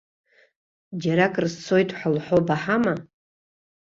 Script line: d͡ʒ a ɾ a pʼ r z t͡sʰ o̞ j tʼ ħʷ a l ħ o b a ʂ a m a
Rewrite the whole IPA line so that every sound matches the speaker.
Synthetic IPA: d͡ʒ a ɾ a kʼ r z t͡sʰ o̞ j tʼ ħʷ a l ħ o b a ħ a m a